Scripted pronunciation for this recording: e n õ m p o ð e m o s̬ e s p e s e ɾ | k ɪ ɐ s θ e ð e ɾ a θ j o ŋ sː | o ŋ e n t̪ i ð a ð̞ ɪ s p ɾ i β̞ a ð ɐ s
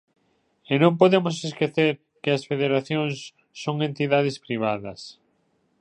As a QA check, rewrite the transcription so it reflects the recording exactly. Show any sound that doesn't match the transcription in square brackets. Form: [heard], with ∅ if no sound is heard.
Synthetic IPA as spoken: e n õ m p o ð e m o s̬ e s [k] e [θ] e ɾ | k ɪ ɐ s [f] e ð e ɾ a θ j o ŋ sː | o ŋ e n t̪ i ð a ð̞ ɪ s p ɾ i β̞ a ð ɐ s